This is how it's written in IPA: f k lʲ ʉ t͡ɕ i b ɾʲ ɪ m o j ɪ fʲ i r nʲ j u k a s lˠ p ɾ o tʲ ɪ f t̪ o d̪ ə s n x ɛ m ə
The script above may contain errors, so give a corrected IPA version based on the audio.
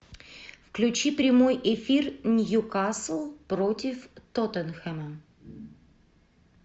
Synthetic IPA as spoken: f k lʲ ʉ t͡ɕ i p ɾʲ ɪ m o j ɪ fʲ i r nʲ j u k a s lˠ p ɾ o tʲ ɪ f t̪ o t̪ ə n x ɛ m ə